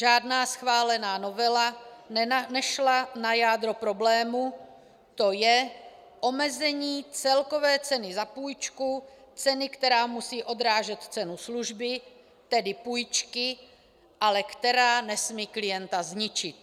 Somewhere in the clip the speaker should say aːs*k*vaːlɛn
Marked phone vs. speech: incorrect: x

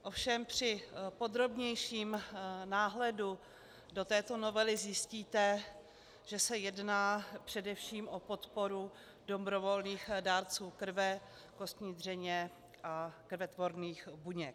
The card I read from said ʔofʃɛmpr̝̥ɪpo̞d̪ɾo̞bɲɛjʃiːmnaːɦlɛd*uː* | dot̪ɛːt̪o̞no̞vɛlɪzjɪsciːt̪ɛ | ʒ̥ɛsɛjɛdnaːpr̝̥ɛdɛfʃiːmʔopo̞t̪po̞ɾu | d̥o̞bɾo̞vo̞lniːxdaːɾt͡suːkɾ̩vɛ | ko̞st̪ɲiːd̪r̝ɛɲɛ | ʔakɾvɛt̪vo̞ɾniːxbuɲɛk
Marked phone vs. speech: incorrect: u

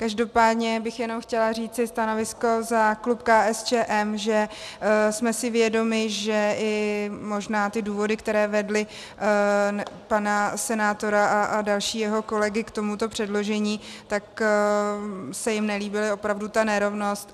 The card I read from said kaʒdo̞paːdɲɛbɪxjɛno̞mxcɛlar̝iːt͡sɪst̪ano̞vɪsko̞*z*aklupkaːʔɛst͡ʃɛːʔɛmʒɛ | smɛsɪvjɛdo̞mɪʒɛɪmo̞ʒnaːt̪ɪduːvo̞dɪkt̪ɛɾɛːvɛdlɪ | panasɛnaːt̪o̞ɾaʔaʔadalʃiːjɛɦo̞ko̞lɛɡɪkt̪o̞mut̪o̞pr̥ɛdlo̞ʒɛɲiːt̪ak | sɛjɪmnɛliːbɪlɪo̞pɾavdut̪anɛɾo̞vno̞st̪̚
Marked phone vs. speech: correct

